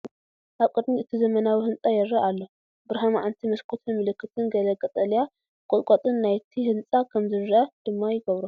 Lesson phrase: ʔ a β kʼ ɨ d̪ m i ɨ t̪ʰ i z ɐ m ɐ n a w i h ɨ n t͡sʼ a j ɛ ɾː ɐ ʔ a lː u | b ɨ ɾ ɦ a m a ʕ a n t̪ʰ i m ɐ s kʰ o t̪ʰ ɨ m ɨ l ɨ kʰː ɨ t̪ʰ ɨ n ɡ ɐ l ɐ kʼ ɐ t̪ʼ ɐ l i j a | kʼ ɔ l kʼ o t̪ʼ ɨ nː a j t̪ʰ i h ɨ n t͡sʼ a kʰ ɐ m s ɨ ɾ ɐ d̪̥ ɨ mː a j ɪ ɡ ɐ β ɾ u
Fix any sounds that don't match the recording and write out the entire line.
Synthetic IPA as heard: ʔ a β kʼ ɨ d̪ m i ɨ t̪ʰ i z ɐ m ɐ n a w i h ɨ n t͡sʼ a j ɛ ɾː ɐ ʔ a lː o | b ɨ ɾ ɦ a m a ʕ a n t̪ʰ i m ɐ s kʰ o t̪ʰ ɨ m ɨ l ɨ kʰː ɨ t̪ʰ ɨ n ɡ ɐ l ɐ kʼ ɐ t̪ʼ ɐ l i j a | kʼ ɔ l kʼ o t̪ʼ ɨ nː a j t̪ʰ i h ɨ n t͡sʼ a kʰ ɐ m z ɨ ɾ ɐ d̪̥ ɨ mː a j ɪ ɡ ɐ β ɾ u

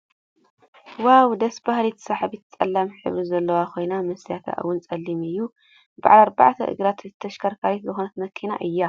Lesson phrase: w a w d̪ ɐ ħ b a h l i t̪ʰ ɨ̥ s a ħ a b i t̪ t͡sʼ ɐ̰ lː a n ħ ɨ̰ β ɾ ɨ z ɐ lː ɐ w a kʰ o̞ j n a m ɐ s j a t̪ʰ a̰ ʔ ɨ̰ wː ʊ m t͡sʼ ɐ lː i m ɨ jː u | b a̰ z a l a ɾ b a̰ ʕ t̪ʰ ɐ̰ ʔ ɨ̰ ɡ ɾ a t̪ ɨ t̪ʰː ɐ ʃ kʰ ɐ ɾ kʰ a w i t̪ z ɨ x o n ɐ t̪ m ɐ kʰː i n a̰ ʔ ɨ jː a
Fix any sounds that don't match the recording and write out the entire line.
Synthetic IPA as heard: w a w d̪ ɐ s b a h l i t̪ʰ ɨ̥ s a ħ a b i t̪ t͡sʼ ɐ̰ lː a m ħ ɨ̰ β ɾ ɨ z ɐ lː ɐ w a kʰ o̞ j n a m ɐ s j a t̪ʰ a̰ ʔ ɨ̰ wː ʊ n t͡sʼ ɐ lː i m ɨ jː u | b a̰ ʕ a l a ɾ b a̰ ʕ t̪ʰ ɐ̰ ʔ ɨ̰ ɡ ɾ a t̪ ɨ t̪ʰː ɐ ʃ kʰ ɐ ɾ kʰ a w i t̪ z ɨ x o n ɐ t̪ m ɐ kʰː i n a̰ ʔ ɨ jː a

